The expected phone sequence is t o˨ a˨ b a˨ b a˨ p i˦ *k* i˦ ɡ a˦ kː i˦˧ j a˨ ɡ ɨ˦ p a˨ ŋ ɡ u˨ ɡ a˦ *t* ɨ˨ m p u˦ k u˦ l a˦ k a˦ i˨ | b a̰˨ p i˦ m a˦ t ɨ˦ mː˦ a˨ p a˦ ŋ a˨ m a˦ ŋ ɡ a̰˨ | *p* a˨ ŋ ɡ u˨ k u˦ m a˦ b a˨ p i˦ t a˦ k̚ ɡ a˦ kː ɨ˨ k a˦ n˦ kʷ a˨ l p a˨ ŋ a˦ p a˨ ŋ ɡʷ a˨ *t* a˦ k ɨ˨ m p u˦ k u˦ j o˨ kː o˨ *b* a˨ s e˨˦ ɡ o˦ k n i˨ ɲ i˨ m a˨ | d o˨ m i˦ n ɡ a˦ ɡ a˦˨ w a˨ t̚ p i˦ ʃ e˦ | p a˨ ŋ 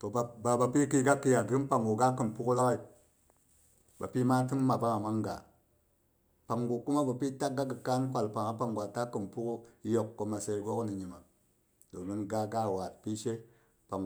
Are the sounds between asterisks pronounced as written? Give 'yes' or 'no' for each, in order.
yes, no, yes, yes, no

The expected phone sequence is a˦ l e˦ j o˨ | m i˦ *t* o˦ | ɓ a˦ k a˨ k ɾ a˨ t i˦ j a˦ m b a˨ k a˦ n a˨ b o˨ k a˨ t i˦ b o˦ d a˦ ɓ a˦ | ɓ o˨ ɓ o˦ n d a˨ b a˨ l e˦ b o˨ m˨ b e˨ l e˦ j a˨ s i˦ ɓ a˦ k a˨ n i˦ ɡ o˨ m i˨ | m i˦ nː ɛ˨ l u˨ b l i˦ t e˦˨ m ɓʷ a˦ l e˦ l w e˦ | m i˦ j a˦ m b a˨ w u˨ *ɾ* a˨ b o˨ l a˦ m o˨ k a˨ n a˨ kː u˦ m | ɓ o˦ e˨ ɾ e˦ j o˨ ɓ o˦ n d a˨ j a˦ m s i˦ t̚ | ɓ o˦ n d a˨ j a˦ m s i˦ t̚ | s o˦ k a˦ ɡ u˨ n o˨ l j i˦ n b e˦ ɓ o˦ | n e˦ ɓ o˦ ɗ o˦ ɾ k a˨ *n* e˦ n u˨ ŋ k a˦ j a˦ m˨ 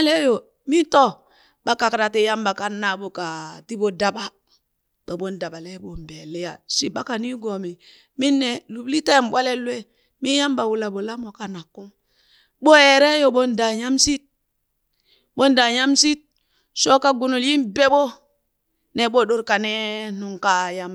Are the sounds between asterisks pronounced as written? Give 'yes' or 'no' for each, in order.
yes, no, yes

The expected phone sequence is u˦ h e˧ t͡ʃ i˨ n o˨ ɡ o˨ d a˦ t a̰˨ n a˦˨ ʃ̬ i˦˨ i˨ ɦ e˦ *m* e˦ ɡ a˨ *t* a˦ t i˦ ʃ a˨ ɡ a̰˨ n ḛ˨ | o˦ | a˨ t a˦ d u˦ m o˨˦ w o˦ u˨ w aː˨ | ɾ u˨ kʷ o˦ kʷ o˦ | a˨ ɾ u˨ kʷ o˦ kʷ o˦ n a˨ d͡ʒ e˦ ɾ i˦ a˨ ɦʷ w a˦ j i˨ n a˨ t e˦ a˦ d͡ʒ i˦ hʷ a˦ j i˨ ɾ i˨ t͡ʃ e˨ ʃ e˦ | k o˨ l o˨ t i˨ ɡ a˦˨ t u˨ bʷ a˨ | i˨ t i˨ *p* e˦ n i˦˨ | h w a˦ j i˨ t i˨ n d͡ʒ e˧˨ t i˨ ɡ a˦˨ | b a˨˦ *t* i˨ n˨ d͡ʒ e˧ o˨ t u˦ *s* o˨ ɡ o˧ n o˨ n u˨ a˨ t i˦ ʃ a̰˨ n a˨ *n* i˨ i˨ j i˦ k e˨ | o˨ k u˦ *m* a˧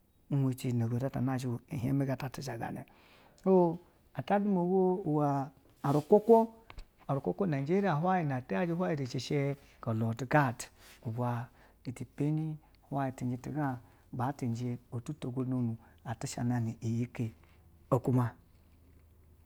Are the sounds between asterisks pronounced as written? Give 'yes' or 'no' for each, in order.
yes, yes, yes, yes, no, yes, yes

